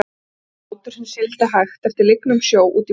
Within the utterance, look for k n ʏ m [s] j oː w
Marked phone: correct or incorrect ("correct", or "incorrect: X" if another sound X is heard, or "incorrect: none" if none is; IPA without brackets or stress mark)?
correct